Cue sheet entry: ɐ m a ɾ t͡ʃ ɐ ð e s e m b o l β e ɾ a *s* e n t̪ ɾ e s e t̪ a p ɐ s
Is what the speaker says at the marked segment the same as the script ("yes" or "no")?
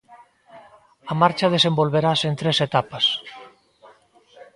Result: yes